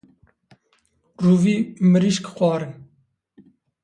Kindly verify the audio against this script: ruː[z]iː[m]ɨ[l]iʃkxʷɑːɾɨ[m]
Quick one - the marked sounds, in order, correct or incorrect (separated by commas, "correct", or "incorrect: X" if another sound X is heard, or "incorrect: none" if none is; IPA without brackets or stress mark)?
incorrect: v, correct, incorrect: ɾ, incorrect: n